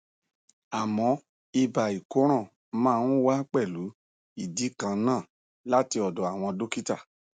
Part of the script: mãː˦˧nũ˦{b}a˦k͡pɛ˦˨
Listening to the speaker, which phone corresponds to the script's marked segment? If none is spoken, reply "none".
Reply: w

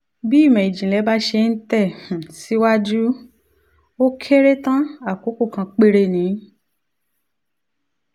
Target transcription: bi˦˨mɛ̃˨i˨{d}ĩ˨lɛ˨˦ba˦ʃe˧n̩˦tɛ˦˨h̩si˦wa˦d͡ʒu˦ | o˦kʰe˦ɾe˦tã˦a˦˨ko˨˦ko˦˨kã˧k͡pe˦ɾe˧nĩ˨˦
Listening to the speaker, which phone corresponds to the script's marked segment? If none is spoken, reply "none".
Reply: d͡ʒ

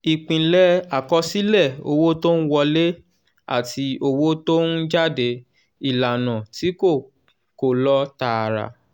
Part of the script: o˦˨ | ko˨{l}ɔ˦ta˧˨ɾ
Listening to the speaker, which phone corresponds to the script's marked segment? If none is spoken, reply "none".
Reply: l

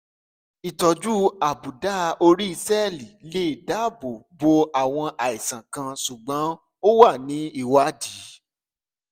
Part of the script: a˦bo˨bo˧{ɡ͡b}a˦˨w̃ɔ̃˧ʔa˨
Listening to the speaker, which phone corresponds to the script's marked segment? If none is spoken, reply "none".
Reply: none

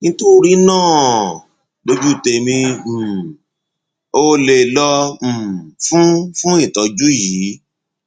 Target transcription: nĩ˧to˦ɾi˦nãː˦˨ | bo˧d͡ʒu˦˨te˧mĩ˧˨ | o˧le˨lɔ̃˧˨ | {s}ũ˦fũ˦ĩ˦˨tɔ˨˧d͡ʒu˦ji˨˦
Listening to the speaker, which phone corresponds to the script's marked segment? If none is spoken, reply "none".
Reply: f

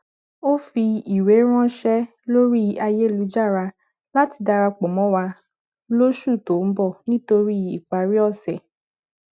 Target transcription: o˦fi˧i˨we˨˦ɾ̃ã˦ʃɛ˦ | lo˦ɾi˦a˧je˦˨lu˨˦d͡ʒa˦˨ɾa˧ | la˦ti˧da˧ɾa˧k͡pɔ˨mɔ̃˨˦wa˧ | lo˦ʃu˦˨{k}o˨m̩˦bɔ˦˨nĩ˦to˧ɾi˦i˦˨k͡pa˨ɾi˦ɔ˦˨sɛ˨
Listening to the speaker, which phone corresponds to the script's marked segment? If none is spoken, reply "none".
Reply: t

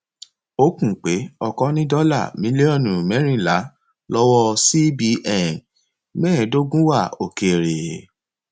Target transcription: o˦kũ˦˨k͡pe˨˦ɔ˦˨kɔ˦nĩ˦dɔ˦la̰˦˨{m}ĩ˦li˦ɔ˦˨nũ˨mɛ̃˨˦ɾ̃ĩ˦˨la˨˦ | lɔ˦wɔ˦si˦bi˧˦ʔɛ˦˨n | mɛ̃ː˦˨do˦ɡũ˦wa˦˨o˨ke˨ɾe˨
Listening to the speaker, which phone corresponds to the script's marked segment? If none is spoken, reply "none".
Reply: m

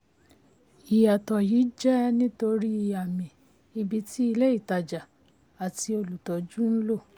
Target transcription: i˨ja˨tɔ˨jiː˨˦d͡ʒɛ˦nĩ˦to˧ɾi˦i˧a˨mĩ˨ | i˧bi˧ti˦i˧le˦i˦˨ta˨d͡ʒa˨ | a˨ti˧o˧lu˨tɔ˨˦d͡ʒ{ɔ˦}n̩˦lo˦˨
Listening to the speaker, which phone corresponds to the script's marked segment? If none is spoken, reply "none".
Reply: u˦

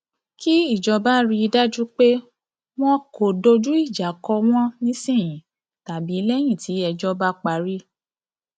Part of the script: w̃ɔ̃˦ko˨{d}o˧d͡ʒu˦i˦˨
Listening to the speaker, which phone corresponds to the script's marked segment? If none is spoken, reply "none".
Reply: d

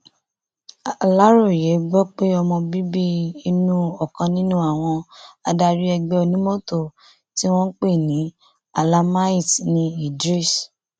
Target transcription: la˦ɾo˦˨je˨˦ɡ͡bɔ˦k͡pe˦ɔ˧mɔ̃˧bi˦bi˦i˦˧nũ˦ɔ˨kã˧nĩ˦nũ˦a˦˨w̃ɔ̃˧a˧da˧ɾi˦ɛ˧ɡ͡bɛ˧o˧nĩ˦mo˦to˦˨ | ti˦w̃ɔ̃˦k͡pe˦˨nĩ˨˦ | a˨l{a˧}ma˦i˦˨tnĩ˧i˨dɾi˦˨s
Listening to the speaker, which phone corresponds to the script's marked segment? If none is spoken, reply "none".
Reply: a˧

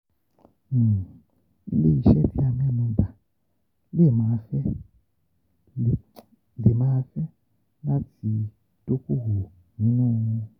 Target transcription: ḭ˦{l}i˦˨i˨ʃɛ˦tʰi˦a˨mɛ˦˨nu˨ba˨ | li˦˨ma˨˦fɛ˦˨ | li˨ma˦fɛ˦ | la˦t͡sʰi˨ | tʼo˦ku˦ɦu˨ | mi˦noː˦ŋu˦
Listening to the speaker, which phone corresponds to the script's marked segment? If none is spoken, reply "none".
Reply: l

